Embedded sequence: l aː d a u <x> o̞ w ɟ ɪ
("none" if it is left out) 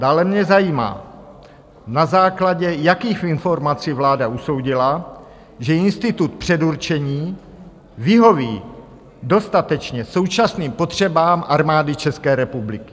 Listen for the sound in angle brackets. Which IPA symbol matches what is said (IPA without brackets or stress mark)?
s